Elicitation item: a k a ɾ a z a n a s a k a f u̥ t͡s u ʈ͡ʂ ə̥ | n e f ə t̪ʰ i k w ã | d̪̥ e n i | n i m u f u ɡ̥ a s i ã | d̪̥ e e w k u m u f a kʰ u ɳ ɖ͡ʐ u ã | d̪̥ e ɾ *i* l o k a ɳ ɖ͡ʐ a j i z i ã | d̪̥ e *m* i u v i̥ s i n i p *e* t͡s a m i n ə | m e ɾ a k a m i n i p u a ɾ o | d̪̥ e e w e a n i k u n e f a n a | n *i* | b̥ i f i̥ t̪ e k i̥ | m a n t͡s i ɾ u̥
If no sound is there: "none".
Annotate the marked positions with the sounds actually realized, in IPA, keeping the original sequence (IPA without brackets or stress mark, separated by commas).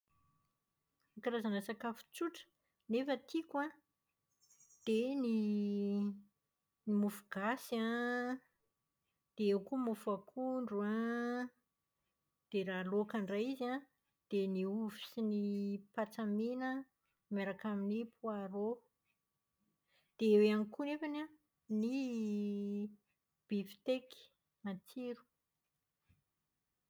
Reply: a, n, a, i